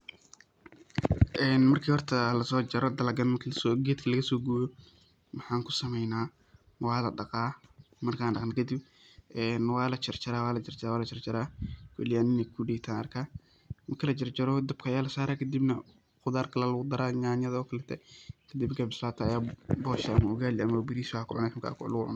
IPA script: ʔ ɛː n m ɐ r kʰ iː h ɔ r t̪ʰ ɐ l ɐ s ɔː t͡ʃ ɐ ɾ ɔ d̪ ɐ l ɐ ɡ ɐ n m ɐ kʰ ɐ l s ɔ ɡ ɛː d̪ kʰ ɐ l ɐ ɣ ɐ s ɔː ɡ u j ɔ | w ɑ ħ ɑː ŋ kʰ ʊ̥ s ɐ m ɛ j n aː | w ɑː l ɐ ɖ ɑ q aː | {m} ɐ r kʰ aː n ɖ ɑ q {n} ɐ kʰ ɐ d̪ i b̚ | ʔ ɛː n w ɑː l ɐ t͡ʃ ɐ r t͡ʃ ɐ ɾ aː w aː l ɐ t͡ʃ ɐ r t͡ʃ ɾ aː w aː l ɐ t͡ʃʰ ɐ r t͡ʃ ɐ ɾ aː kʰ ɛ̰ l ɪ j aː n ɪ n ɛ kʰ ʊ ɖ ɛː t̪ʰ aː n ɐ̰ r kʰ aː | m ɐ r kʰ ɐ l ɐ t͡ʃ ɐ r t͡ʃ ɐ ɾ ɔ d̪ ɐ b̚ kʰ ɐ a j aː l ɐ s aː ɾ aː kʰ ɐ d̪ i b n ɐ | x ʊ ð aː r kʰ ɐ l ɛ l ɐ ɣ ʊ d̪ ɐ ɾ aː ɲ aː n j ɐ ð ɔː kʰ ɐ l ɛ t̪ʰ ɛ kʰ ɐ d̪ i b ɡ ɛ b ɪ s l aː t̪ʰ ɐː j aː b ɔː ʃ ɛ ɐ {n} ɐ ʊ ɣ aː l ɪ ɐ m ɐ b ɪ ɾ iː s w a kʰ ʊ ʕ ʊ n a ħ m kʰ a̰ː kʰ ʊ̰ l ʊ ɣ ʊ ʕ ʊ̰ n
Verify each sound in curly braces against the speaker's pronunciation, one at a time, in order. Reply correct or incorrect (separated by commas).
correct, correct, incorrect